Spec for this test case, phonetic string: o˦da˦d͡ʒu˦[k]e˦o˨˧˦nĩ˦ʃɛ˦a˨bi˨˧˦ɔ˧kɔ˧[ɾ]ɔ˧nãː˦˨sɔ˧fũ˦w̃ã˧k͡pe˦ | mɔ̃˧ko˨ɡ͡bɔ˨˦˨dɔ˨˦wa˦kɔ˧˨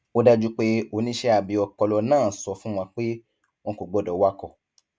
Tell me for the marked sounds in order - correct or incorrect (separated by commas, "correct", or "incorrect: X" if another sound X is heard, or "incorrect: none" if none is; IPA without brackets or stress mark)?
incorrect: k͡p, incorrect: l